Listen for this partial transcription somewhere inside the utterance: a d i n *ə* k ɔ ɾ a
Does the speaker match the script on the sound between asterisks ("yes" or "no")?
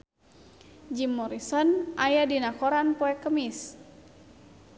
no